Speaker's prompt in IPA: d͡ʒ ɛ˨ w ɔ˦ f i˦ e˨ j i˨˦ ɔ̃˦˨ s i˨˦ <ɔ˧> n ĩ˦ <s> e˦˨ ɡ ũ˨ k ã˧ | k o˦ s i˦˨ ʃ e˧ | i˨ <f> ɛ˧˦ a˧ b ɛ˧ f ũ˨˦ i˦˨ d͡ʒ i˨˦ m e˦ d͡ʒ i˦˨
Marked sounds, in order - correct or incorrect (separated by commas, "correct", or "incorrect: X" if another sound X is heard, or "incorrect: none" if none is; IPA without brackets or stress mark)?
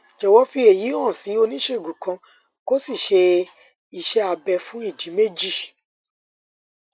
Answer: incorrect: o˧, incorrect: ʃ, incorrect: ʃ